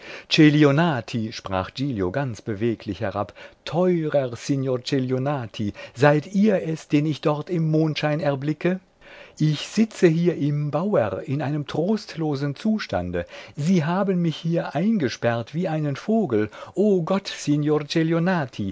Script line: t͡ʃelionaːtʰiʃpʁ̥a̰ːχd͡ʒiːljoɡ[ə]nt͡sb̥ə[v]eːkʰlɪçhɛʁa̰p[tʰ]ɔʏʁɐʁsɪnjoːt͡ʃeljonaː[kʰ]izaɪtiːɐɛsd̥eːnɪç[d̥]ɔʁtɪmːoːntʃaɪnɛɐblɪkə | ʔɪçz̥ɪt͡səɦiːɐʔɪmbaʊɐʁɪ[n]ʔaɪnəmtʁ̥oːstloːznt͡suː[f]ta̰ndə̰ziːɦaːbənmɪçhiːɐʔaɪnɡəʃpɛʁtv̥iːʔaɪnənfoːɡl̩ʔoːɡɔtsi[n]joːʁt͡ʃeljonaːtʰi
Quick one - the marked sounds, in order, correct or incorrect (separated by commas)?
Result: incorrect, correct, correct, incorrect, correct, correct, incorrect, correct